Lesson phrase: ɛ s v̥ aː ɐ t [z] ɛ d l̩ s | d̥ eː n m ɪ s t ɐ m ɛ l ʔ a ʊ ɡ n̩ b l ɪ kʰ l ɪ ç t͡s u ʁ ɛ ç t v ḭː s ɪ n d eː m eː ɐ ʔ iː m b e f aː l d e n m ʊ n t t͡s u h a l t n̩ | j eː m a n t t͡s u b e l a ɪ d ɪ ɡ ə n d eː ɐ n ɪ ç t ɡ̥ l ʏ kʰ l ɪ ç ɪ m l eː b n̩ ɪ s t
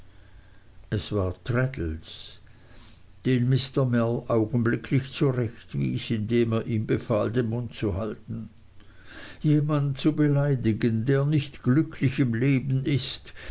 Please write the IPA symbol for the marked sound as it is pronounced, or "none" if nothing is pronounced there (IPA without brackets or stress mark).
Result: ʁ